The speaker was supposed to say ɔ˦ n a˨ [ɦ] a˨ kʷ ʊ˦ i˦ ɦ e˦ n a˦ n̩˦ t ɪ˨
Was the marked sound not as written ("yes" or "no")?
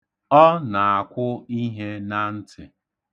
yes